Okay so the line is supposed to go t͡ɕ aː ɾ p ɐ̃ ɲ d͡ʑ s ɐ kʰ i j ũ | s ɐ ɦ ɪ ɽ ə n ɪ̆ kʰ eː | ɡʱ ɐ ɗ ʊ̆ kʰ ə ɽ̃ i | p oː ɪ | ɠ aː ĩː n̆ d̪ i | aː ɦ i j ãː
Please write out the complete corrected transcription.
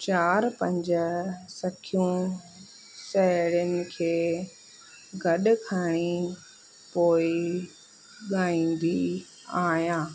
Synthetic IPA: t͡ɕ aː ɾ p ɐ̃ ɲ d͡ʑ s ɐ kʰ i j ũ | s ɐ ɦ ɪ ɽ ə n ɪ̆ kʰ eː | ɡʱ ɐ ɗ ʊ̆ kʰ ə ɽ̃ i | p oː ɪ | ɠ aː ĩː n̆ d̪ i | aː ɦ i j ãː